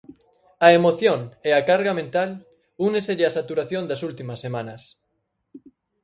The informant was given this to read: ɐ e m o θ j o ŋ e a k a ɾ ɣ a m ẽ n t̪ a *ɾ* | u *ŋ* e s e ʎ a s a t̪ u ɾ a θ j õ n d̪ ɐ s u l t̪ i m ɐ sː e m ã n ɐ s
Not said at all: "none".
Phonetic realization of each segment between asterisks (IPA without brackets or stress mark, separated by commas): l, n